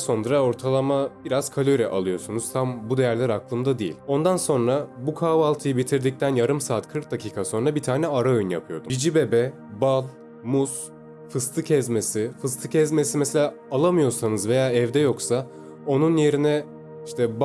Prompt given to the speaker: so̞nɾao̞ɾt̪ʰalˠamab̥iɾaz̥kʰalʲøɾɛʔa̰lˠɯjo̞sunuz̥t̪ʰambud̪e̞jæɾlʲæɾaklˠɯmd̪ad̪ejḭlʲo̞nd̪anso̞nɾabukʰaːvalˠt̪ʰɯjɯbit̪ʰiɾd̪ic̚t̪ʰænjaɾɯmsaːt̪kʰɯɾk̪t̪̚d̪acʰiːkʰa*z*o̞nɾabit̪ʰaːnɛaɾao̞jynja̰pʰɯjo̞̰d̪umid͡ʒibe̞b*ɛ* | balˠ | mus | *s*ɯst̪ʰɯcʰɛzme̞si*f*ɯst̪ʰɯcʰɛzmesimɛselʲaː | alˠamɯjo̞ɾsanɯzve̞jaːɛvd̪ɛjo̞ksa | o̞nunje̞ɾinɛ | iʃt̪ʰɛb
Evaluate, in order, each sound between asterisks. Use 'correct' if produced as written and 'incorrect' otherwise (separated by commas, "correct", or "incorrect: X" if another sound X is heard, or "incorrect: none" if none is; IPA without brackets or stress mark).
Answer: incorrect: s, correct, incorrect: f, correct